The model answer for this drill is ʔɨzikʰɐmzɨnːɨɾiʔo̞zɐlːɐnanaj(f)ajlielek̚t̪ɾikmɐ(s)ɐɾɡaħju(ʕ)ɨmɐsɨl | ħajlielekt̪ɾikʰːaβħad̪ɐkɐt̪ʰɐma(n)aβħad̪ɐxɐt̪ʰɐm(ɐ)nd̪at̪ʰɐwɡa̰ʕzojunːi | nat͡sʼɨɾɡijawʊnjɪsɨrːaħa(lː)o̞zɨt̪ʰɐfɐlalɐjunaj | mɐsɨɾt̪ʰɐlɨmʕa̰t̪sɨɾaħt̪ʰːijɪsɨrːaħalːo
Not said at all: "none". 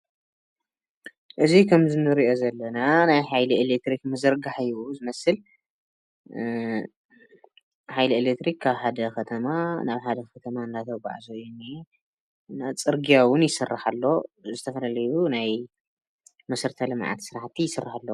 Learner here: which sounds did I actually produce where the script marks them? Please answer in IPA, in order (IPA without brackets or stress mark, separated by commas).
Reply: ħ, z, z, n, a, lː